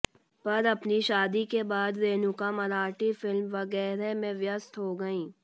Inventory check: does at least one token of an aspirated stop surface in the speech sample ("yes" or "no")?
no